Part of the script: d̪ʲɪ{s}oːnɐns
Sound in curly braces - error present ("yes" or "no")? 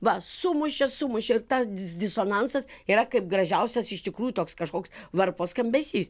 no